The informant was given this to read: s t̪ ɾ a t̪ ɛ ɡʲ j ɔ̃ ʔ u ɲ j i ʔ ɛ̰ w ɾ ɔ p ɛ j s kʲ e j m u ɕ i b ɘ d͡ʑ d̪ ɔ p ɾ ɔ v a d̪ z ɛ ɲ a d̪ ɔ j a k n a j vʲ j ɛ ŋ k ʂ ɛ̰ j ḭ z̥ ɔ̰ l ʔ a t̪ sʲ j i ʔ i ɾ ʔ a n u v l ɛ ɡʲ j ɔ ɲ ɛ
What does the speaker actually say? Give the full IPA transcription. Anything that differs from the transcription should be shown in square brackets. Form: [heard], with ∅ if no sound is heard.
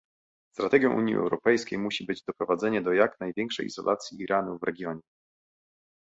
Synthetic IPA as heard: s t̪ ɾ a t̪ ɛ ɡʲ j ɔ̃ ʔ u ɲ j i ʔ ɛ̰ w ɾ ɔ p ɛ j s kʲ e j m u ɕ i b ɘ d͡ʑ d̪ ɔ p ɾ ɔ v a d̪ z ɛ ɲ [ɛ] d̪ ɔ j a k n a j vʲ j ɛ ŋ k ʂ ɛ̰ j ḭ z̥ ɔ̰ l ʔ a t̪ sʲ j i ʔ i ɾ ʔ a n u v [ɾ] ɛ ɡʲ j ɔ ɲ ɛ